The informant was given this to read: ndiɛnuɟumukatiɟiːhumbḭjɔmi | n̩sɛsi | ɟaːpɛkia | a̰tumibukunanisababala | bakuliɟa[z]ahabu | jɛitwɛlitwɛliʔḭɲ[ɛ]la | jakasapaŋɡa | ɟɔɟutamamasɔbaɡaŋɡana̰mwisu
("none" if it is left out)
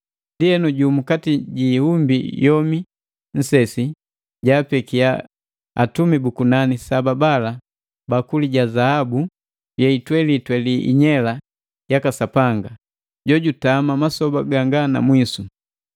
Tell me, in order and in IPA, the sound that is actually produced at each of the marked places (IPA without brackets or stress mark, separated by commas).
z, ɛ